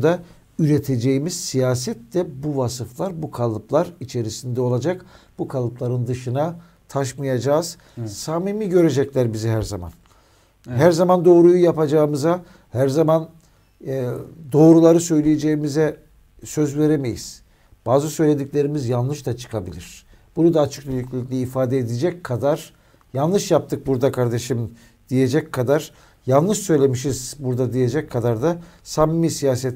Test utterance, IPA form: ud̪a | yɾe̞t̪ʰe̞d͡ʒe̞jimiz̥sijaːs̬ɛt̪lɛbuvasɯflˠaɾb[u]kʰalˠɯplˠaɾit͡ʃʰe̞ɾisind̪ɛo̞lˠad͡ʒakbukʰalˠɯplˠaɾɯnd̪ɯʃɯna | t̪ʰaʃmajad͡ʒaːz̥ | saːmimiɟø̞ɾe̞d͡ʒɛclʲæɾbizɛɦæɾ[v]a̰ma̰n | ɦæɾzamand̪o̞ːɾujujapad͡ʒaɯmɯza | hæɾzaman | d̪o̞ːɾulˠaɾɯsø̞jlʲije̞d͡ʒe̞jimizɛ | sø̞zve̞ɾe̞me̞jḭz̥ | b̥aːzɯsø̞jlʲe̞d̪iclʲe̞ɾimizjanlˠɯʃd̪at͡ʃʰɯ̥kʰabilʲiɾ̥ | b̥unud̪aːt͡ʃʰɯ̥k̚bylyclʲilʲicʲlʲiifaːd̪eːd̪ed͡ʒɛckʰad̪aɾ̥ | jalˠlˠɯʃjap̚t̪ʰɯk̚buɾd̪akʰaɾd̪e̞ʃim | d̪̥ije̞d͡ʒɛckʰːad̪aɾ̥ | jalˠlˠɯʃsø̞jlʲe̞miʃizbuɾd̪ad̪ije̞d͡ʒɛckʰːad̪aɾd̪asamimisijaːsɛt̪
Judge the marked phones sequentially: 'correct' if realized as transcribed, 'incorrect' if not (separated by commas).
correct, incorrect